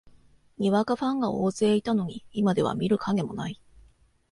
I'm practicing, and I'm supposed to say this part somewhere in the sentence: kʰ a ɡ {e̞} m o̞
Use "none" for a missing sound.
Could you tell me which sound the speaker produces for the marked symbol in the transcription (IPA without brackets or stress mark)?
e̞